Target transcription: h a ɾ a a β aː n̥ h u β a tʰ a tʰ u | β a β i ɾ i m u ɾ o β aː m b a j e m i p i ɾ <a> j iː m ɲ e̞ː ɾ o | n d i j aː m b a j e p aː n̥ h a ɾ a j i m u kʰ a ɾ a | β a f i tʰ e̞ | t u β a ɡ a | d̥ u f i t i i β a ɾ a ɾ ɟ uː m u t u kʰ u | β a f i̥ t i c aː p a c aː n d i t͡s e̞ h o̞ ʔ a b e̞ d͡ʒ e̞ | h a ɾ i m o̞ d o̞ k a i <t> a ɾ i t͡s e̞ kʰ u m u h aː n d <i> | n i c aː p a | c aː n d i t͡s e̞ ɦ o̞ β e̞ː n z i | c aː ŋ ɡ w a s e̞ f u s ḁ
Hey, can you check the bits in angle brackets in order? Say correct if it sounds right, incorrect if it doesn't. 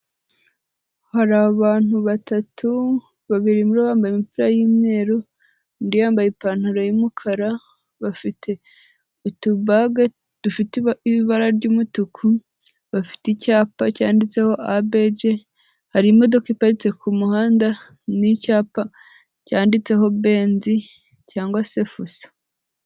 correct, incorrect, incorrect

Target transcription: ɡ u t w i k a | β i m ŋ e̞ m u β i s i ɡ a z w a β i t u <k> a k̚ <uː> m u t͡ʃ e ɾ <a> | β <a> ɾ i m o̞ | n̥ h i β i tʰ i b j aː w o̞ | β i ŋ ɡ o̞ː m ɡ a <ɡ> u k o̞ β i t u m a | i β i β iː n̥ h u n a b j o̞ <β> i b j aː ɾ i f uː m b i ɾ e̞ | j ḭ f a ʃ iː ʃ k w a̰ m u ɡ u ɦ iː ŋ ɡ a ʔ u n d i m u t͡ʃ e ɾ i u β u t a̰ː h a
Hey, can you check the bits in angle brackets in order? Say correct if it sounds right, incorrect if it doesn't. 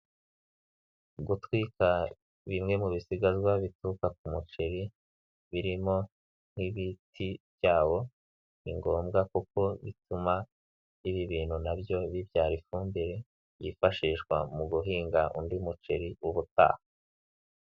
correct, incorrect, incorrect, incorrect, incorrect, correct

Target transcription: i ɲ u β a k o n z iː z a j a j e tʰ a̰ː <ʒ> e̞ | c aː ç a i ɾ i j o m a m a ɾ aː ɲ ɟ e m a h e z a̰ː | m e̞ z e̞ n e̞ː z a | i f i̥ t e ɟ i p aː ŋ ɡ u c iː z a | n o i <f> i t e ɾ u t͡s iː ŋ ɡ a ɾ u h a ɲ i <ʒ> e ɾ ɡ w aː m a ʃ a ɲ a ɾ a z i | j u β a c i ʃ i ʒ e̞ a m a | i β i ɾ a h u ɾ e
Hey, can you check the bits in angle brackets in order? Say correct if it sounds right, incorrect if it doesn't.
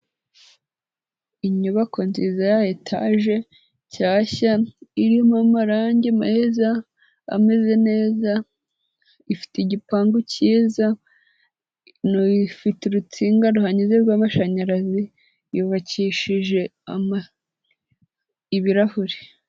correct, correct, incorrect

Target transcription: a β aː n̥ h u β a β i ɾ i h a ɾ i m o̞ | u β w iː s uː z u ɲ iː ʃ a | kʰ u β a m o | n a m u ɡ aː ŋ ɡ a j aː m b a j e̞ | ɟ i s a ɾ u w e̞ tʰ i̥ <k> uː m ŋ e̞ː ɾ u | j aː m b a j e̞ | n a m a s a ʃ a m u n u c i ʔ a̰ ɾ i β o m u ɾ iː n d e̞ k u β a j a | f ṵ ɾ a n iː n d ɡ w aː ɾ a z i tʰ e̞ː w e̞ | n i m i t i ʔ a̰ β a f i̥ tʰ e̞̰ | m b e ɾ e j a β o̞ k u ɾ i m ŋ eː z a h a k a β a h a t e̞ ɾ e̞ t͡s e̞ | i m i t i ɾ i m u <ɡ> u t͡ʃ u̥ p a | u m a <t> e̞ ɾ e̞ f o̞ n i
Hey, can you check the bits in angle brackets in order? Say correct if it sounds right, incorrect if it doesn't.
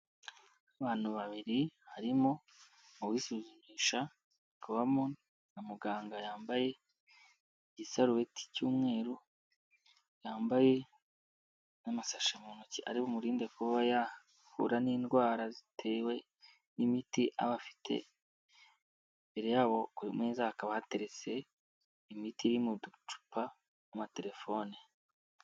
incorrect, incorrect, correct

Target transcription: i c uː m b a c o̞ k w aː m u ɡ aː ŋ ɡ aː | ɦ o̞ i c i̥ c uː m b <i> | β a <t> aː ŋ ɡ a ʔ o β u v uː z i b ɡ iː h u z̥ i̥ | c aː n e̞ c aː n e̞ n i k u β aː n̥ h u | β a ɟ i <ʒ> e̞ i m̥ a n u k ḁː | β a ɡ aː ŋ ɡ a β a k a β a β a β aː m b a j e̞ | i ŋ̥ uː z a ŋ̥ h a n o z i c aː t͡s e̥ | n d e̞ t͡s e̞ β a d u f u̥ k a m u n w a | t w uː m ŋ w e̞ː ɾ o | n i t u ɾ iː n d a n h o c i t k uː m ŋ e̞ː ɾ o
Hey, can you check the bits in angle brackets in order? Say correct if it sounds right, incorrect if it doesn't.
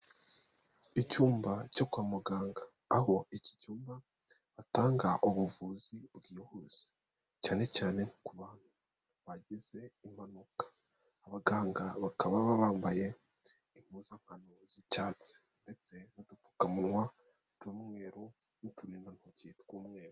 incorrect, correct, incorrect

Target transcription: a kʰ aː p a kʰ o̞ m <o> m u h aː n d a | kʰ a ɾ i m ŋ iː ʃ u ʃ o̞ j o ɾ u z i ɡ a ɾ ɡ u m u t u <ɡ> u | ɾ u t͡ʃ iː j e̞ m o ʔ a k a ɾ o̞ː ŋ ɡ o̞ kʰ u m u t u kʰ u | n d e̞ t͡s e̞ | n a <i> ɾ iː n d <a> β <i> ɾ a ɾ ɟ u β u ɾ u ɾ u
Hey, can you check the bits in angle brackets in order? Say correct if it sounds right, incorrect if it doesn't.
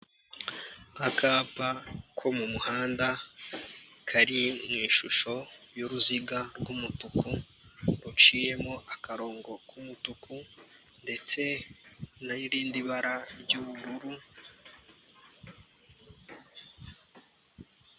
incorrect, incorrect, correct, incorrect, incorrect

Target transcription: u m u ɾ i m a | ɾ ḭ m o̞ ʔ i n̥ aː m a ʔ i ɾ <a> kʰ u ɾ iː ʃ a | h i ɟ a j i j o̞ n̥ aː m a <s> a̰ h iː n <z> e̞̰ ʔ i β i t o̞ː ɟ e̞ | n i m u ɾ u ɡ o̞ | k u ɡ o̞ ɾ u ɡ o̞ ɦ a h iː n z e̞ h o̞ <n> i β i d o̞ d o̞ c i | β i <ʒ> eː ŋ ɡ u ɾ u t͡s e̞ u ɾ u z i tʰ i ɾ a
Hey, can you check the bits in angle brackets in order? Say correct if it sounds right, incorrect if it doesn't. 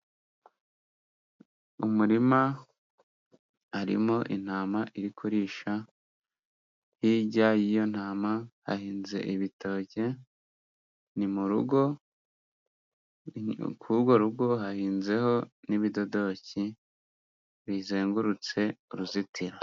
incorrect, incorrect, correct, correct, incorrect

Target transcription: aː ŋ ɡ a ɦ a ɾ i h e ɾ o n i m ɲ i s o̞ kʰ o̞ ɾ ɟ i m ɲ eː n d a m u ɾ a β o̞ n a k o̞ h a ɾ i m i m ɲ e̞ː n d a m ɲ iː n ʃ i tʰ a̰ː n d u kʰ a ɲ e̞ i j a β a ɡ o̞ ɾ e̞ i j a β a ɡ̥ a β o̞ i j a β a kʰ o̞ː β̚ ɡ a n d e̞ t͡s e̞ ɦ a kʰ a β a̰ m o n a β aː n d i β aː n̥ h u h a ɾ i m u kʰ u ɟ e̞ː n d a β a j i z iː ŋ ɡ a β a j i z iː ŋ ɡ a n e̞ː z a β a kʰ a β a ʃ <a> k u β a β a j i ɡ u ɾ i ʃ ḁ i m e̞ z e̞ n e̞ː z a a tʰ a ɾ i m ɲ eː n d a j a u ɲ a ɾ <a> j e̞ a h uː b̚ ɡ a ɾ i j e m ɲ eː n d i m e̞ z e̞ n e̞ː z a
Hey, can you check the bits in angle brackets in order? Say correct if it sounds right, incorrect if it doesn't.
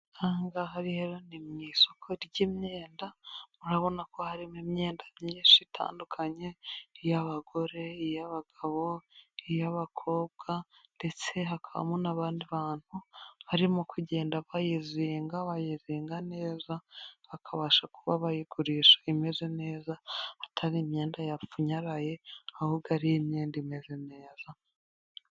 correct, correct

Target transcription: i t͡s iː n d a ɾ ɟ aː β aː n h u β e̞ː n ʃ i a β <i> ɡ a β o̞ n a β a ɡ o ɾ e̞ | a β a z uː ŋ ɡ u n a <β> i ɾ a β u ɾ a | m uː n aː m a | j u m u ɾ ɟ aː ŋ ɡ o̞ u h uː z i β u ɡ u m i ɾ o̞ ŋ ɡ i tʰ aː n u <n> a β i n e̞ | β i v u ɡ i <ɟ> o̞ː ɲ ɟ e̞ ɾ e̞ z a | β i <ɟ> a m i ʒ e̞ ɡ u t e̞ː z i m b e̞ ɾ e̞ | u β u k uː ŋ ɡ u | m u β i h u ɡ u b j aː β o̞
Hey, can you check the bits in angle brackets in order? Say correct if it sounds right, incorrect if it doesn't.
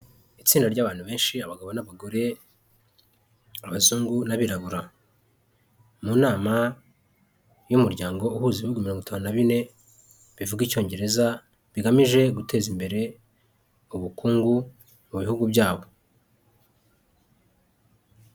incorrect, correct, correct, incorrect, incorrect

